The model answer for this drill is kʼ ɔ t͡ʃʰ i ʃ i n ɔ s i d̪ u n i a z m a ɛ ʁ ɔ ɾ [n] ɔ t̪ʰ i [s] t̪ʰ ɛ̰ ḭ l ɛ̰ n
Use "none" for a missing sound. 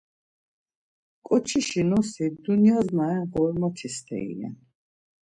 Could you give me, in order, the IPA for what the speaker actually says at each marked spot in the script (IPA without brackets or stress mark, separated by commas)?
m, s